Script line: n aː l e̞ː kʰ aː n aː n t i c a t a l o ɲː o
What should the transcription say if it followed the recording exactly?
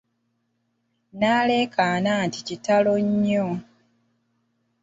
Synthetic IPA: n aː l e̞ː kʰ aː n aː n t i c i t a l o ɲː o